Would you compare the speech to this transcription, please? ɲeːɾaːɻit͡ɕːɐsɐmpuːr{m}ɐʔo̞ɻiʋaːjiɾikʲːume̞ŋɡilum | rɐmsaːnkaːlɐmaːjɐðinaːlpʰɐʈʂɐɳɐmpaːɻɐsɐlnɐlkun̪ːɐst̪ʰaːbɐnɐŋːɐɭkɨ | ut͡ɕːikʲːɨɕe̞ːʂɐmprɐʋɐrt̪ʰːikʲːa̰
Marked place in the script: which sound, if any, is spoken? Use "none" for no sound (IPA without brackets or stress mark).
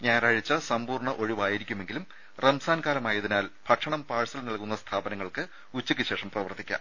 ɳ